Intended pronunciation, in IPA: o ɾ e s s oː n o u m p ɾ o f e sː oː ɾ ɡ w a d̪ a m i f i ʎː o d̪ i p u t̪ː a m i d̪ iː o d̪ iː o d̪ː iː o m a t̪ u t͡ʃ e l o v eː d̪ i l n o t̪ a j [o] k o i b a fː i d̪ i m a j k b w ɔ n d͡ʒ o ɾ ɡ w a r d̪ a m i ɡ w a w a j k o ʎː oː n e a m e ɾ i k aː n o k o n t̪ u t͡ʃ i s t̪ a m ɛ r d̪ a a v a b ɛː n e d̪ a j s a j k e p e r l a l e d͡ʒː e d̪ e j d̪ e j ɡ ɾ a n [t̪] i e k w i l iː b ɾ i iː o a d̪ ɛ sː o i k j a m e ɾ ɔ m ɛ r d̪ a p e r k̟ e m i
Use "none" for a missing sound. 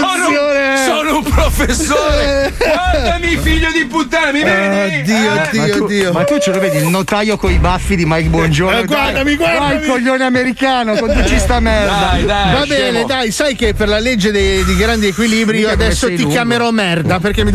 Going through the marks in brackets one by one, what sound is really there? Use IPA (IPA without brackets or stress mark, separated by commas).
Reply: o, d̪